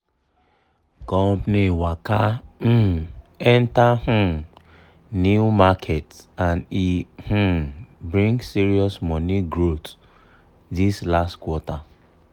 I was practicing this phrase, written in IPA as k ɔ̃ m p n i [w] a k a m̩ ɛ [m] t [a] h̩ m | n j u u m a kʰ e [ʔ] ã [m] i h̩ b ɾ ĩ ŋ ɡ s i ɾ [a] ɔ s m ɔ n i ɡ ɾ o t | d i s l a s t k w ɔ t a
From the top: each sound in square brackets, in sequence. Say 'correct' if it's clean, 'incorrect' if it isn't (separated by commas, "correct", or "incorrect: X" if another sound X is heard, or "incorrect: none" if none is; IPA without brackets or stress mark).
correct, incorrect: n, correct, incorrect: t, incorrect: n, incorrect: i